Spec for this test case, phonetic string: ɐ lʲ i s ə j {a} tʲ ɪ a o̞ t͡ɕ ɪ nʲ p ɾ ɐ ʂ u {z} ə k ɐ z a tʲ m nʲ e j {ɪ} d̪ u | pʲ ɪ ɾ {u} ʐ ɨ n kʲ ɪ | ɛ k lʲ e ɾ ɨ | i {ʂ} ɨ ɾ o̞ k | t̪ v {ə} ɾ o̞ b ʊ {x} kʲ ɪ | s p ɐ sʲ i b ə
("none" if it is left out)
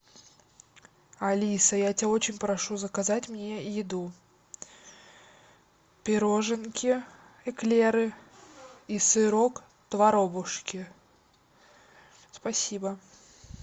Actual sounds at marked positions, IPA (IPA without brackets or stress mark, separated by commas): a, z, ɪ, o, s, ɐ, ʂ